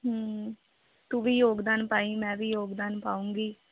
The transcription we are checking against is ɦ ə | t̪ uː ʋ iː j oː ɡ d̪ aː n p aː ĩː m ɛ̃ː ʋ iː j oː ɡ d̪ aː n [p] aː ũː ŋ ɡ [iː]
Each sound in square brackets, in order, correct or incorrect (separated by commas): correct, correct